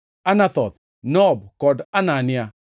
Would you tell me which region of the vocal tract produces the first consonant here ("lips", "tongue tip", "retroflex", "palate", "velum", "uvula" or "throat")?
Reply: tongue tip